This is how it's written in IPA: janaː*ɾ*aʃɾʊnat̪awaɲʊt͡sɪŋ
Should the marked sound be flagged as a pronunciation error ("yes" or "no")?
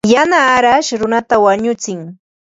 no